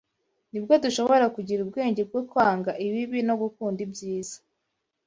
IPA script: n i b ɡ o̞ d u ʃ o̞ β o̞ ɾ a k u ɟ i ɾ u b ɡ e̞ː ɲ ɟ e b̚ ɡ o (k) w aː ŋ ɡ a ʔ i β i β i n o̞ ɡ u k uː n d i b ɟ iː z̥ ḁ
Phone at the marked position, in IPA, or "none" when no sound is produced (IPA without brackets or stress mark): k